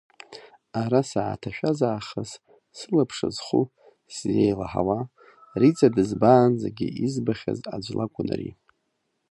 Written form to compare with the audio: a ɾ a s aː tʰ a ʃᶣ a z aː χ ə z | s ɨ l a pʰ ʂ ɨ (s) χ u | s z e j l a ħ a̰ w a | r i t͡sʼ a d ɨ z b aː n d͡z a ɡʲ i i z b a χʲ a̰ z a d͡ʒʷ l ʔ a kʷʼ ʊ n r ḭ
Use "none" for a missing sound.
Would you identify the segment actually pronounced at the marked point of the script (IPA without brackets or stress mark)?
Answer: z